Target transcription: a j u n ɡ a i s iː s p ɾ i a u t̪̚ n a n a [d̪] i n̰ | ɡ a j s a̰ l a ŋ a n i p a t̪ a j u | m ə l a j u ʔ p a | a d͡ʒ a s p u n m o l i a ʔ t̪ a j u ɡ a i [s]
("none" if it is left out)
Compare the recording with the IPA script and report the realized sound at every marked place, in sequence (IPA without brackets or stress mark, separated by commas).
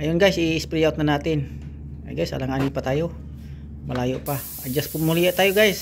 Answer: t̪, s